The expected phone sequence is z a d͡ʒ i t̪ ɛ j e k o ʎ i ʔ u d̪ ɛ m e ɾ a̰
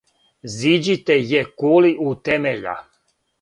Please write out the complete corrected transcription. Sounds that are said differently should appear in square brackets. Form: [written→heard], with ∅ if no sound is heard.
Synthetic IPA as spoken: z [a→i] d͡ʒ i t̪ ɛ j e k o [ʎ→l] i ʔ u [d̪→t̪] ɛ m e [ɾ→ʎ] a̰